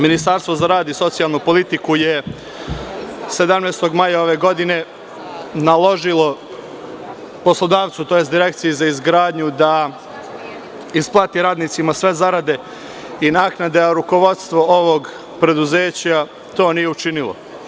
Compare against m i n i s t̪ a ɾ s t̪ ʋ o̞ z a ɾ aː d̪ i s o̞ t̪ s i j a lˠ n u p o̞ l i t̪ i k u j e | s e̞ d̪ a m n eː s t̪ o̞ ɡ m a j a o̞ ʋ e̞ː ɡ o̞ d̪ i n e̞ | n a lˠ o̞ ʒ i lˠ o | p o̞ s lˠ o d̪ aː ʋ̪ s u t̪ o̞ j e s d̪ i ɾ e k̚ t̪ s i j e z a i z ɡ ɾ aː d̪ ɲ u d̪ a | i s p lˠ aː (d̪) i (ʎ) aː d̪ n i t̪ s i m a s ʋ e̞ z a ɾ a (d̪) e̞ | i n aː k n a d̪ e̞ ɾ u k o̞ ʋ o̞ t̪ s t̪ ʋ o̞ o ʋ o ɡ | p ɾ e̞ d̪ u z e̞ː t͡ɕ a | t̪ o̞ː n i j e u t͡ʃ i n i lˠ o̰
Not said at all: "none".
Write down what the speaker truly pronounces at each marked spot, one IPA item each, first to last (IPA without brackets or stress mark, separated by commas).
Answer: t̪, ɾ, d̪